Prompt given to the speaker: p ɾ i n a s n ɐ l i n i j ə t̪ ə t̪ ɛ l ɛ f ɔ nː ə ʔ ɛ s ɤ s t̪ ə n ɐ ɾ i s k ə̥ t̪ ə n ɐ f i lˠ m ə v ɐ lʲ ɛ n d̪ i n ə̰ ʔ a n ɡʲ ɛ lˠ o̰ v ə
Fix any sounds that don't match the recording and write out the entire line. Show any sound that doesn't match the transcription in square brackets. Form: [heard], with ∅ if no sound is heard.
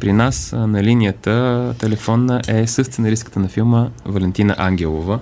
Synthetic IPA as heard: p ɾ i n a s n ɐ l i n i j ə t̪ ə t̪ ɛ l ɛ f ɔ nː ə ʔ ɛ s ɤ s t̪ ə n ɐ ɾ i s k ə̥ t̪ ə n ɐ f i lˠ m ə v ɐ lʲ ɛ n [t̪] i n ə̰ ʔ a [ŋ] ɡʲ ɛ lˠ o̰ v ə